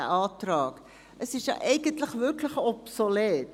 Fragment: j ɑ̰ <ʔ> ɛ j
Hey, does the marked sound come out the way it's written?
yes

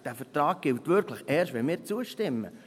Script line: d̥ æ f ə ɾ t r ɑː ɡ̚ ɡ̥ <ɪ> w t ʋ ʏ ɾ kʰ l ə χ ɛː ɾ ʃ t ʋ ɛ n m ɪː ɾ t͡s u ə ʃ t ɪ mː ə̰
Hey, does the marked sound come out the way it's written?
yes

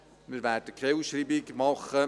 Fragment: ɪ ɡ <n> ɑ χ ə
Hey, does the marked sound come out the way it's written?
no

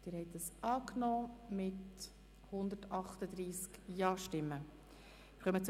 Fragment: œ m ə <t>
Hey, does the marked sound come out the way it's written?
no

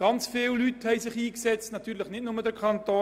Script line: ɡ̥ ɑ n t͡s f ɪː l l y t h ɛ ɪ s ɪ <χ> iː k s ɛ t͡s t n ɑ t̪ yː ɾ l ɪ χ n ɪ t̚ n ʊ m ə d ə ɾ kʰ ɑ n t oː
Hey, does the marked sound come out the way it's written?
yes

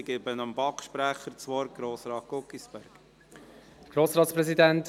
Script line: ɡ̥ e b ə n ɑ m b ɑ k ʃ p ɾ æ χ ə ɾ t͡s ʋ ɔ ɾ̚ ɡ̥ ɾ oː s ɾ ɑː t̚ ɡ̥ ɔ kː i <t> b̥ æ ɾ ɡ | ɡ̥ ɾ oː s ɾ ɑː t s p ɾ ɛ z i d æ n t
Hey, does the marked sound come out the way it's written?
no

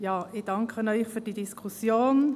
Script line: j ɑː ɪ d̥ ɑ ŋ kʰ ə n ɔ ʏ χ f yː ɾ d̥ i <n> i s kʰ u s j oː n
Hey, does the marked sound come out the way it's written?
no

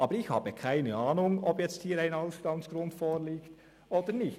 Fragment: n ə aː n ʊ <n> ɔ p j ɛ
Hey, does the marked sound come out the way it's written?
no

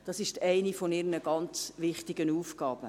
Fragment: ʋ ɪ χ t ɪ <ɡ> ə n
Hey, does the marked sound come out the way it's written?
yes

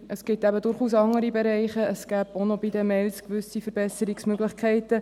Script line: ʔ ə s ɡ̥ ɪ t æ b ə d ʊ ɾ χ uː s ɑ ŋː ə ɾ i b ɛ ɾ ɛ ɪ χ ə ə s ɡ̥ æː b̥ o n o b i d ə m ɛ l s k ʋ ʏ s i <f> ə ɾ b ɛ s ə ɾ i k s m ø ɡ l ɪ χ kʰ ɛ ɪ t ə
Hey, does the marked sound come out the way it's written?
yes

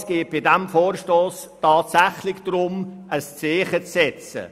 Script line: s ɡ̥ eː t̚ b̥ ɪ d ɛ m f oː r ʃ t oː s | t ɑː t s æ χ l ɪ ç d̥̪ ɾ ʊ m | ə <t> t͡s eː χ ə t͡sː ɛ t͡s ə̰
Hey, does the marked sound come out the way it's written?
no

